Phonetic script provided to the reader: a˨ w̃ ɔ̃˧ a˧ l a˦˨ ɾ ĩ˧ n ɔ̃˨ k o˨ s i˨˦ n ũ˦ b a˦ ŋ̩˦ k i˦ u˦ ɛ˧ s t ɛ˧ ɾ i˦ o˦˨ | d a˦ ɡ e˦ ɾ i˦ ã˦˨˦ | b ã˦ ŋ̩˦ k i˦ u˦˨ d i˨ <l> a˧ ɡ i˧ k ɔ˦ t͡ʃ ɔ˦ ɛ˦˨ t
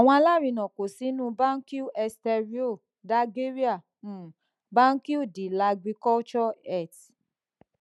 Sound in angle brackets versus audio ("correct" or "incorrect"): correct